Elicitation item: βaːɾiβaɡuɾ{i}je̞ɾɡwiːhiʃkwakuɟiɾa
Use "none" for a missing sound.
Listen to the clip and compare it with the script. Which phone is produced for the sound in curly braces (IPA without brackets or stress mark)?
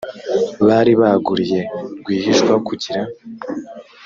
i